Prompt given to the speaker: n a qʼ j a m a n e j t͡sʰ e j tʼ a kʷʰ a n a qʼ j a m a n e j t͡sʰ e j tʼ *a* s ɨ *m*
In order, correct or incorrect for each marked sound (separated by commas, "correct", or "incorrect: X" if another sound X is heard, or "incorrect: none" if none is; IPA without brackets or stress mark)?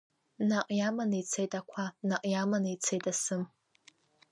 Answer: correct, correct